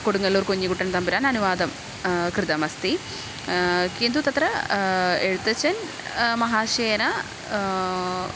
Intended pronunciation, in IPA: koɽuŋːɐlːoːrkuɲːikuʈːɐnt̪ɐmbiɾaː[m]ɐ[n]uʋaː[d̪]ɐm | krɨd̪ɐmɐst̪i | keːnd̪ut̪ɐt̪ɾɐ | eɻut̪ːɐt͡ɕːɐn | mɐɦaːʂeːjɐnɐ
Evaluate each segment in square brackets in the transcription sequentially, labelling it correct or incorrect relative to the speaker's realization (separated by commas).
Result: incorrect, correct, correct